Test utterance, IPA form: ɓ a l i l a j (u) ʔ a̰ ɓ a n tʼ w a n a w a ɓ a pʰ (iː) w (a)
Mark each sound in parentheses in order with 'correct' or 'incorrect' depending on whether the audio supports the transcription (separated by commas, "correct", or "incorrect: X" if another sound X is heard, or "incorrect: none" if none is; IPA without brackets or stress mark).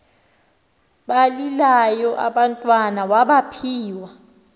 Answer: incorrect: ɔ, correct, correct